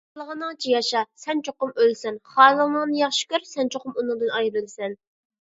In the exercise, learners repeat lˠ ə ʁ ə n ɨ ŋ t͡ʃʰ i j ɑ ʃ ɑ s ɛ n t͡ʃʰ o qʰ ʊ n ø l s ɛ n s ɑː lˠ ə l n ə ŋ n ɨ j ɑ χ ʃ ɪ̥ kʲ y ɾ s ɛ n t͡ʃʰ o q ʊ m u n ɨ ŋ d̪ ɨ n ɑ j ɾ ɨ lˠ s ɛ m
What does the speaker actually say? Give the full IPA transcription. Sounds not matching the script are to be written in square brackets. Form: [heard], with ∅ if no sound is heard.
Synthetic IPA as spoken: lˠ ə ʁ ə n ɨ ŋ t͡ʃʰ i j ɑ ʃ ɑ s ɛ n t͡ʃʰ o [q] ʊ [m] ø l s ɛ n [χ] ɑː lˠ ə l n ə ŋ n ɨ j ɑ χ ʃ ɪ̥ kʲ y ɾ s ɛ n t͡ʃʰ o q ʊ m u n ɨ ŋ d̪ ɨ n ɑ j ɾ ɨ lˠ s ɛ [n]